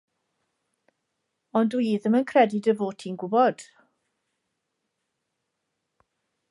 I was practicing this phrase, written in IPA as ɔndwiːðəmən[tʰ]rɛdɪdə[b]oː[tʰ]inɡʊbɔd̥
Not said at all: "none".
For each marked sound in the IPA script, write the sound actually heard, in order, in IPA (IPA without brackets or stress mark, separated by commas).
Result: kʰ, v, tʰ